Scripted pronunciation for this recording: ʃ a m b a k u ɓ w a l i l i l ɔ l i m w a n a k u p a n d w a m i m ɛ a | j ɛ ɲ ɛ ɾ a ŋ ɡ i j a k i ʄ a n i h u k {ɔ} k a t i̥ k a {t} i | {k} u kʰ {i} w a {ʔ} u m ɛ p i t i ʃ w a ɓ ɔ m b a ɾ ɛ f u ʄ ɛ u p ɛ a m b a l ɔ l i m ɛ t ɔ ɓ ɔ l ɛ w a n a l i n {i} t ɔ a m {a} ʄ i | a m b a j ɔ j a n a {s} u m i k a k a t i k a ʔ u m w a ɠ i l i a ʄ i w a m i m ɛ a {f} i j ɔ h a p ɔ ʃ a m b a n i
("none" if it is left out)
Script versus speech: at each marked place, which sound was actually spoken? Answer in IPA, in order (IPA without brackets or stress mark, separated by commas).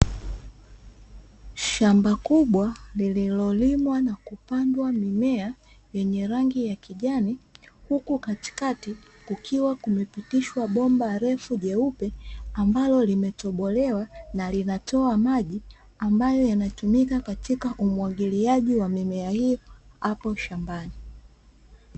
u, t, k, i, k, a, a, t, h